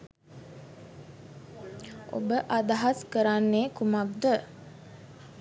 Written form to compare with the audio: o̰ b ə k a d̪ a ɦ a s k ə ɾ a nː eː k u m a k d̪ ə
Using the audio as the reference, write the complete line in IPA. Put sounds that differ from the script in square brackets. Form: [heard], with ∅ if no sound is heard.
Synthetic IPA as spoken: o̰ b ə [ʔ] a d̪ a ɦ a s k ə ɾ a nː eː k u m a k d̪ ə